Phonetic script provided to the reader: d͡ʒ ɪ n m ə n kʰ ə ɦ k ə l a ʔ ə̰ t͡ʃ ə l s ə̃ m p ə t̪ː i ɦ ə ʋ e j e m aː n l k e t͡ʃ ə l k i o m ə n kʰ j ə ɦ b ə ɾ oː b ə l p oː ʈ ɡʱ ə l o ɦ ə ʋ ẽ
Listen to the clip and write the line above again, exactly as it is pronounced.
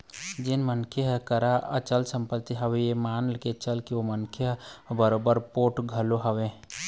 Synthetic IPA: d͡ʒ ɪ n m ə n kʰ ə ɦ k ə ɾ a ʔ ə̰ t͡ʃ ə l s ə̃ m p ə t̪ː i ɦ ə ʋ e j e m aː n l k e t͡ʃ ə l k i o m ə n kʰ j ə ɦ b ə ɾ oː b ə ɾ p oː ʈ ɡʱ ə l o ɦ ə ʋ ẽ